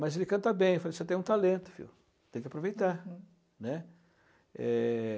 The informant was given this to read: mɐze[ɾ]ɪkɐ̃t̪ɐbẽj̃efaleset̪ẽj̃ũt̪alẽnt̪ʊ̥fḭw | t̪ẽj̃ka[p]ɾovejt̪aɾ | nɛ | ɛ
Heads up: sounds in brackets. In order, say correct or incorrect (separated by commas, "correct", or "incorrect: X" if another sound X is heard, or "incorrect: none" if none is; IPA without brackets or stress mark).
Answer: incorrect: l, correct